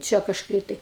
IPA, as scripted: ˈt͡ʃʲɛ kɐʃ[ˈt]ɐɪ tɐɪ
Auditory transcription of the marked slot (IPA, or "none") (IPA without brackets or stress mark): k